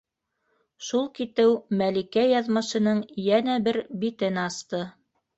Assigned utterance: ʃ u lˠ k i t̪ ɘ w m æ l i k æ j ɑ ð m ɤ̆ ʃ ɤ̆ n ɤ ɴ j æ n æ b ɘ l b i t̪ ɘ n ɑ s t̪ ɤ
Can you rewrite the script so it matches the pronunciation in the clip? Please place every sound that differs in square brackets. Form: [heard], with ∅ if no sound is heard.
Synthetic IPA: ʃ u lˠ k i t̪ ɘ w m æ l i k æ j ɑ ð m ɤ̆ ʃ ɤ̆ n ɤ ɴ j æ n æ b ɘ [ɾ] b i t̪ ɘ n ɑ s t̪ ɤ